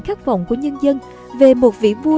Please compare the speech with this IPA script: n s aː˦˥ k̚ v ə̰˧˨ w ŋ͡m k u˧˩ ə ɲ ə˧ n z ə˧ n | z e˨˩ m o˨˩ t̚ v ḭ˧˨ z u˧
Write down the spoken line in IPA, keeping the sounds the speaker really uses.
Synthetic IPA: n x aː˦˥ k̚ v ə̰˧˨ w ŋ͡m k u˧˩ ə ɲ ə˧ n z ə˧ n | v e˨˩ m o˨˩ t̚ v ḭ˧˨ v u˧

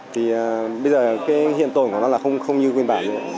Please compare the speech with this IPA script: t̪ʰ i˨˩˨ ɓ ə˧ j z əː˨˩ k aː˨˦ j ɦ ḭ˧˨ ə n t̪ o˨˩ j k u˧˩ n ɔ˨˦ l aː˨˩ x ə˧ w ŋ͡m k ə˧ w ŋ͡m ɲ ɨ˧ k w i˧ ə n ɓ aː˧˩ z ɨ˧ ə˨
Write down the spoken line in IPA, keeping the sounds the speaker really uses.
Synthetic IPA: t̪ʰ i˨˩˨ ɓ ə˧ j z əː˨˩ k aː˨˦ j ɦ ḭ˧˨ ə n t̪ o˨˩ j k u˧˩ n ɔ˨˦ l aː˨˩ x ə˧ w ŋ͡m x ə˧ w ŋ͡m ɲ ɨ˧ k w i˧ ə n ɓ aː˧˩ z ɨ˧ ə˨

